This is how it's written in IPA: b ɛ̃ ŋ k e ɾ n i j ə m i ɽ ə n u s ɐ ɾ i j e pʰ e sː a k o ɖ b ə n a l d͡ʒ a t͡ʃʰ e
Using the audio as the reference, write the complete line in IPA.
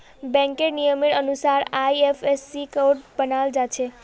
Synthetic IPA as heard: b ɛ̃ ŋ k e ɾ n i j ə m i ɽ ə n u s a ɾ a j e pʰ e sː i k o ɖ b ə n a l d͡ʒ a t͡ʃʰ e